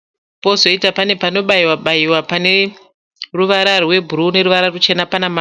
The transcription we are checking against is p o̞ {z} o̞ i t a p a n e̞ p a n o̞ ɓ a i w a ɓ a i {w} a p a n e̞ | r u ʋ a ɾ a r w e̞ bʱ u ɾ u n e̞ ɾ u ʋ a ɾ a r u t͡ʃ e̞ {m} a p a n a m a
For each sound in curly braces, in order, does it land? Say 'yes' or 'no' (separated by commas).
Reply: yes, yes, no